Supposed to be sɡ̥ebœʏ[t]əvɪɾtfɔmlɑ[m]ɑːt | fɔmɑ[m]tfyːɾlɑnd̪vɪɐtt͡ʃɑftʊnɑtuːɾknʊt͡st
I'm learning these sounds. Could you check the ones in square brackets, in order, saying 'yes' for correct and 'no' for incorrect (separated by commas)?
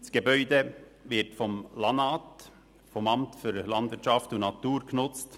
no, no, yes